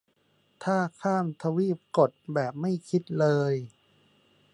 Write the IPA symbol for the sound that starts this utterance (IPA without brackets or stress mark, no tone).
t̪ʰ